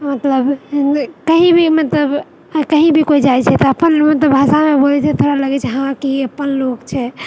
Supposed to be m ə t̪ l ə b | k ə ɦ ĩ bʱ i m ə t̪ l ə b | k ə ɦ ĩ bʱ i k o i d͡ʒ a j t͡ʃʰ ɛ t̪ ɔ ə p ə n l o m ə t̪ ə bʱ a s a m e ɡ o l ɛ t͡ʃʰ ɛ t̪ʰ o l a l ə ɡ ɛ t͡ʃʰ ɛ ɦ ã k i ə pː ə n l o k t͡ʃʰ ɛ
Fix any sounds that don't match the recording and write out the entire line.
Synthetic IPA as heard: m ə t̪ l ə b | k ə ɦ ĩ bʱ i m ə t̪ l ə b | k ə ɦ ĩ bʱ i k o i d͡ʒ a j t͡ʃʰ ɛ t̪ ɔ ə p ə n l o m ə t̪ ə bʱ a s a m e b o l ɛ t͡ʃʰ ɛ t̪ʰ o ɾ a l ə ɡ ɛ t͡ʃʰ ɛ ɦ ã k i ə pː ə n l o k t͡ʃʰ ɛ